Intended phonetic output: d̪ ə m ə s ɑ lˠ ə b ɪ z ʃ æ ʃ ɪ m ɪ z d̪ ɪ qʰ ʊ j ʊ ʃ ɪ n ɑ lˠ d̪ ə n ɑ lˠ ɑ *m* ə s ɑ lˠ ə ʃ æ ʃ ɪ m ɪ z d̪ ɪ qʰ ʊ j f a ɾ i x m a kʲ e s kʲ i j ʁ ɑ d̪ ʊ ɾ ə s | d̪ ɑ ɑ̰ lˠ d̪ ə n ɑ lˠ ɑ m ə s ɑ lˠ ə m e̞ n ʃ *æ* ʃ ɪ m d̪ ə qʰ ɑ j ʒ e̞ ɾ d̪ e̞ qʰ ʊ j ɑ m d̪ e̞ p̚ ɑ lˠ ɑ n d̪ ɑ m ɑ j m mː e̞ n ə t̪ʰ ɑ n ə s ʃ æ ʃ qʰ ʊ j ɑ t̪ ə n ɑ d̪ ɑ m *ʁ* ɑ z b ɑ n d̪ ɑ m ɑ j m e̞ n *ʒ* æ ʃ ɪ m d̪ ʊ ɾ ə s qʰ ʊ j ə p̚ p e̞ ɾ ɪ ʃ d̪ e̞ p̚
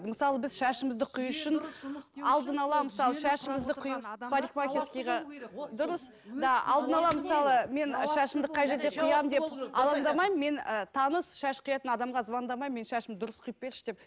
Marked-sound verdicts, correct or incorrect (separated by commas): correct, correct, correct, incorrect